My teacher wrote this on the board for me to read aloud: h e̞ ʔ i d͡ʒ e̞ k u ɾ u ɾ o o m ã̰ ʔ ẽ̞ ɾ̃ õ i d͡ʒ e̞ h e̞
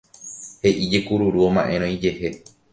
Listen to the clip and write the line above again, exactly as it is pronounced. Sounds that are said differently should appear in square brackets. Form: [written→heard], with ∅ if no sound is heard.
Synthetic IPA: h e̞ ʔ i d͡ʒ e̞ k u ɾ u ɾ [o→u] o m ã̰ ʔ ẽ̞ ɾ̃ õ i d͡ʒ e̞ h e̞